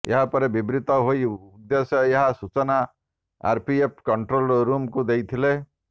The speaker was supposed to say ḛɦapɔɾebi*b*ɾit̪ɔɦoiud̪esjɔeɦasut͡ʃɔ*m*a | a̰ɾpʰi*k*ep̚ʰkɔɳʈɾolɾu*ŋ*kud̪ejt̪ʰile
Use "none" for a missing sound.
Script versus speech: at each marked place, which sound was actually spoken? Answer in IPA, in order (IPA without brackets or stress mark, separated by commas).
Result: b, n, none, m